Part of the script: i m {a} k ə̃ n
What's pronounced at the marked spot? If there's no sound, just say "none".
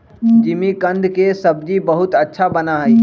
i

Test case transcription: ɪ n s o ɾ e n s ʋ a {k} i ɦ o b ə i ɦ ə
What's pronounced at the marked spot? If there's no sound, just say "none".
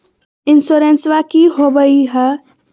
k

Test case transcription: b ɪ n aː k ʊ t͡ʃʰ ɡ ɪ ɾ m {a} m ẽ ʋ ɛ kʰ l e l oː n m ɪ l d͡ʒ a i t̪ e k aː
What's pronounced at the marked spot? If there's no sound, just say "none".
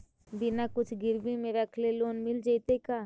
i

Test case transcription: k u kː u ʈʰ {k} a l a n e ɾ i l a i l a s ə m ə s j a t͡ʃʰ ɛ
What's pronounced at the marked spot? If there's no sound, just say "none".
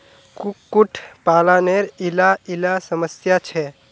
p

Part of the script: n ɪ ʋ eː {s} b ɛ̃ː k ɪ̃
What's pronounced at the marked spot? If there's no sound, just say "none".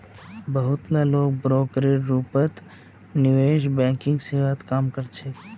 ʃ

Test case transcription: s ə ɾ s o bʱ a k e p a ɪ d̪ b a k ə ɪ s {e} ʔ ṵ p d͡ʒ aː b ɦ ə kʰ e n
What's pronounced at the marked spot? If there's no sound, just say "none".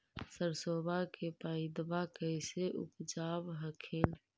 e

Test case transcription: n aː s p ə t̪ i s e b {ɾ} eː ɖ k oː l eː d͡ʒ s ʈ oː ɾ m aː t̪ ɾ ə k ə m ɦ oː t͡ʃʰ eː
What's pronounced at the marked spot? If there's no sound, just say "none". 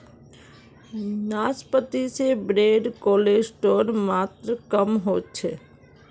ɾ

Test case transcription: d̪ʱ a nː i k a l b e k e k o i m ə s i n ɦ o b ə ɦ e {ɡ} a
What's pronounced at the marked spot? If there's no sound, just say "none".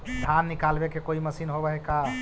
k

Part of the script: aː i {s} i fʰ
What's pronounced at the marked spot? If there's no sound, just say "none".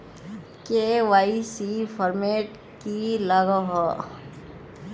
s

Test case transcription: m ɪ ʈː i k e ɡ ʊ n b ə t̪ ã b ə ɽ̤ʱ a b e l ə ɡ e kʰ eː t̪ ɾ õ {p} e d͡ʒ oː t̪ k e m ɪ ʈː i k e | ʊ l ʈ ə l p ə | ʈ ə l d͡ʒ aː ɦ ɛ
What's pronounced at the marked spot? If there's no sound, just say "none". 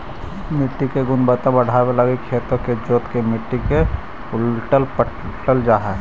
k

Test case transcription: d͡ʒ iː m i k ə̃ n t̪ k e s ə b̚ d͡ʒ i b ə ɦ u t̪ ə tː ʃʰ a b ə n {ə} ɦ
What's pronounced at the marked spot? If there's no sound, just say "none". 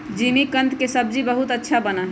a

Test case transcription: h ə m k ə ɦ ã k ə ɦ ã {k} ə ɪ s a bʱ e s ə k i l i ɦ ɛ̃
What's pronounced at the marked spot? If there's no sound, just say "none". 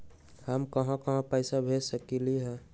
p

